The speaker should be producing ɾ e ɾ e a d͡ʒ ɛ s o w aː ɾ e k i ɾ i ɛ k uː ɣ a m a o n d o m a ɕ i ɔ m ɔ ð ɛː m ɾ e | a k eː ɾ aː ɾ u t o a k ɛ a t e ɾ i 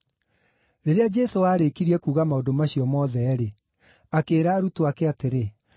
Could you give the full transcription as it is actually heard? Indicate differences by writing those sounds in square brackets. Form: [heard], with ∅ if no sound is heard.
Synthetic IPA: ɾ e ɾ e a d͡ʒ ɛ s o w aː ɾ e k i ɾ i ɛ k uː ɣ a m a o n d o m a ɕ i ɔ m ɔ ð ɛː [∅] ɾ e | a k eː ɾ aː ɾ u t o a k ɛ a t e ɾ [e]